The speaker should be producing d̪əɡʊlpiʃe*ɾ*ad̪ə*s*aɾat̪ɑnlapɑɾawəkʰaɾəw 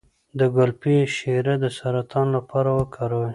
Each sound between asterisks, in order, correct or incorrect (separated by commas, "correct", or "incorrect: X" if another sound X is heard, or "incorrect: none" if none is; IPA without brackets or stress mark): correct, correct